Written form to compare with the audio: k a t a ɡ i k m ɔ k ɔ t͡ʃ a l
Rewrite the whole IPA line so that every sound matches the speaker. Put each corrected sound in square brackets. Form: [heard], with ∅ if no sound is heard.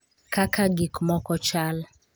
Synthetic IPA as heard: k a [k] a ɡ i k m ɔ k ɔ t͡ʃ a l